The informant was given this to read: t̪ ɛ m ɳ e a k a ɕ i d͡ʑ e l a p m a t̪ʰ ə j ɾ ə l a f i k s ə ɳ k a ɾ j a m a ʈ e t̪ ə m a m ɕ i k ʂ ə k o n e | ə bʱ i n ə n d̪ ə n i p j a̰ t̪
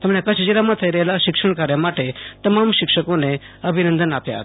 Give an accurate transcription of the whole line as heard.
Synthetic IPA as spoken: t̪ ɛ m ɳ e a k a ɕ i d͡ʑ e l a m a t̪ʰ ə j ɾ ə l a ɕ i k ʂ ə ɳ k a ɾ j a m a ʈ e t̪ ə m a m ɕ i k ʂ ə k o n e | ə bʱ i n ə n d̪ ə n a p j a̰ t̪

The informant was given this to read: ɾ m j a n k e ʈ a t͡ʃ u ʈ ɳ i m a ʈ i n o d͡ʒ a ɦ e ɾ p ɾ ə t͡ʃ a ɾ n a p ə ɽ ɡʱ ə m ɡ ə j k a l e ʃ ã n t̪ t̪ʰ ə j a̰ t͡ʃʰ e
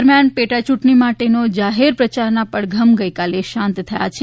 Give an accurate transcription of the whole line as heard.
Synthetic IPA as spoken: ɾ m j a n p e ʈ a t͡ʃ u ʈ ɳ i m a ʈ e n o d͡ʒ a ɦ e ɾ p ɾ ə t͡ʃ a ɾ n a p ə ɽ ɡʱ ə m ɡ ə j k a l e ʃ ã n t̪ t̪ʰ ə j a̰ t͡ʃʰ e

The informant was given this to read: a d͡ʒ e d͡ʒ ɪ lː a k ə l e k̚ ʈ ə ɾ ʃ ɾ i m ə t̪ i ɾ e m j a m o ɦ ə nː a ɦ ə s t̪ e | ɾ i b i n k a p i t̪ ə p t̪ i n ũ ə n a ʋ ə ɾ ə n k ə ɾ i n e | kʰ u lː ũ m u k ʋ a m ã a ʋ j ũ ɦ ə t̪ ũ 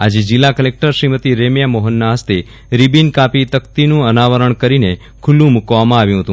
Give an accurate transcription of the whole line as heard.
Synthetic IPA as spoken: a d͡ʒ e d͡ʒ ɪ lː a k ə l e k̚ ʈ ə ɾ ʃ ɾ i m ə t̪ i ɾ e m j a m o ɦ ə nː a ɦ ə s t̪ e | ɾ i b i n k a p i t̪ ə k t̪ i n ũ ə n a ʋ ə ɾ ə ɳ k ə ɾ i n e | kʰ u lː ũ m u k ʋ a m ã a ʋ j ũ ɦ ə t̪ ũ

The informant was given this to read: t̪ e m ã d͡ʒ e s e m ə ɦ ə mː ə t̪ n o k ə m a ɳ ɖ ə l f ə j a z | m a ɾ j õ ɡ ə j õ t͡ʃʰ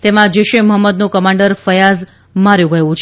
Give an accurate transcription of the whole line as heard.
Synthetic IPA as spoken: t̪ e m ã d͡ʒ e ʃ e m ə ɦ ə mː ə d̪ n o k ə m a ɳ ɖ ə ɾ f ə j a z | m a ɾ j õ ɡ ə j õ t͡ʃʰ

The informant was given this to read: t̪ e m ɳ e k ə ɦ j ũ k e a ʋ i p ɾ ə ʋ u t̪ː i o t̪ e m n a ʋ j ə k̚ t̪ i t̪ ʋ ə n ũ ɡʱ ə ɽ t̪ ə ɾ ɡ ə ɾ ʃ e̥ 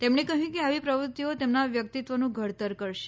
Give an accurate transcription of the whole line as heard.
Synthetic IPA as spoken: t̪ e m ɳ e k ə ɦ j ũ k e a ʋ i p ɾ ə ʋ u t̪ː i o t̪ e m n a ʋ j ə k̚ t̪ i t̪ ʋ ə n ũ ɡʱ ə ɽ t̪ ə ɾ k ə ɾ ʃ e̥

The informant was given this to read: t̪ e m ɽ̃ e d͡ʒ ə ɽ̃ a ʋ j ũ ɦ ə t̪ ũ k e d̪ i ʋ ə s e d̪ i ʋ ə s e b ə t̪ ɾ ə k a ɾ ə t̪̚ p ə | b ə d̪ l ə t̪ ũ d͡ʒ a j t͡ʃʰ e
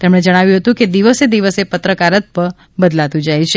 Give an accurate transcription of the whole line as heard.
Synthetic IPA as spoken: t̪ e m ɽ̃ e d͡ʒ ə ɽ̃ a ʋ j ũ ɦ ə t̪ ũ k e d̪ i ʋ ə s e d̪ i ʋ ə s e p ə t̪ ɾ ə k a ɾ ə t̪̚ p ə | b ə d̪ l a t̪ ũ d͡ʒ a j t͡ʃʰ e

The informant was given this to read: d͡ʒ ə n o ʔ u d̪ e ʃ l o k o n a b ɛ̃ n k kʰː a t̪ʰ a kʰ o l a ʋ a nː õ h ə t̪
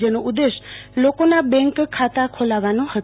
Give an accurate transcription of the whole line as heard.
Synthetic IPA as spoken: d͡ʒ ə n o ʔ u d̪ e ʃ l o k o n a b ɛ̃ ŋ k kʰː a t̪ a kʰ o l a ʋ a n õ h ə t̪

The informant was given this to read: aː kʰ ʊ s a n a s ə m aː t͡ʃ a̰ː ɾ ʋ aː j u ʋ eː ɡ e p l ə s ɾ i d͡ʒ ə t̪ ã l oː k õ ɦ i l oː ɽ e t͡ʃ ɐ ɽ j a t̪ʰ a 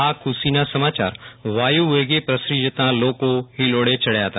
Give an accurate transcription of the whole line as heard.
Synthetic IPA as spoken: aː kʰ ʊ s i n a s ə m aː t͡ʃ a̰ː ɾ ʋ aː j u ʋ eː ɡ e p ɾ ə s ɾ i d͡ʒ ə t̪ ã l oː k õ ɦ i l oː ɽ e t͡ʃ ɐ ɽ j a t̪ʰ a

